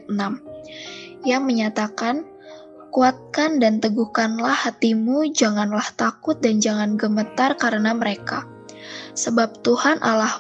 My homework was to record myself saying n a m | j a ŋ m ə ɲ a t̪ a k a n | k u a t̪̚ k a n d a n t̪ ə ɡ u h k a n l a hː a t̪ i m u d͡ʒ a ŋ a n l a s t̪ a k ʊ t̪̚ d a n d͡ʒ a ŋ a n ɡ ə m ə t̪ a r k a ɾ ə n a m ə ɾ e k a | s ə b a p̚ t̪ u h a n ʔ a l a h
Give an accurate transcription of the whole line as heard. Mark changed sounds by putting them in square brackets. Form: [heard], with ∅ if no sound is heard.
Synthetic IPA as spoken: n a m | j a ŋ m ə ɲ a t̪ a k a n | k u a t̪̚ k a n d a n t̪ ə ɡ u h k a n l a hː a t̪ i m u d͡ʒ a ŋ a n l a [h] t̪ a k ʊ t̪̚ d a n d͡ʒ a ŋ a n ɡ ə m ə t̪ a r k a ɾ ə n a m ə ɾ e k a | s ə b a p̚ t̪ u h a n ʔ a l a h